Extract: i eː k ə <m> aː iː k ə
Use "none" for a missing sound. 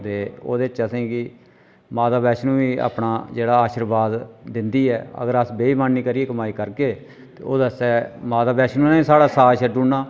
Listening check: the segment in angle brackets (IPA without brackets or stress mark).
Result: m